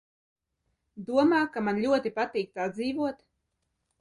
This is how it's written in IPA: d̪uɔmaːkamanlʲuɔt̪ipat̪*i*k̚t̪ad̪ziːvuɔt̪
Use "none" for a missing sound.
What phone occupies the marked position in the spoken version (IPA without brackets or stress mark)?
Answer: iː